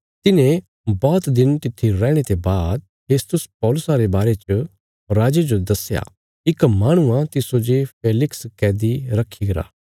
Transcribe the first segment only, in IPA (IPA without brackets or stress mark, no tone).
t̪